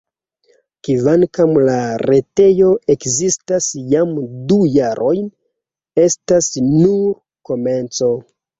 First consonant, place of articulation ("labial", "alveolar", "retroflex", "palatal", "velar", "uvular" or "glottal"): velar